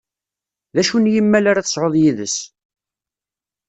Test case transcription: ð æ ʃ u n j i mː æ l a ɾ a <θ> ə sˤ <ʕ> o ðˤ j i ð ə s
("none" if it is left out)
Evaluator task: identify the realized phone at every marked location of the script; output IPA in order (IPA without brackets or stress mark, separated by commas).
θ, ʕ